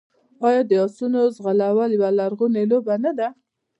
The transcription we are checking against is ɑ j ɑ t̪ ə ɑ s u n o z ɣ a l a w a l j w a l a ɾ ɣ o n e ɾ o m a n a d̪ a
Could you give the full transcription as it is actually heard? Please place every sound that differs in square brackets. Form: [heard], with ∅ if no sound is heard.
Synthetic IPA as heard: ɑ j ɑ [d̪] ə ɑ s u n o z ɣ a l a w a l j w a l a ɾ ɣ [u] n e [l] o [b] a n a d̪ a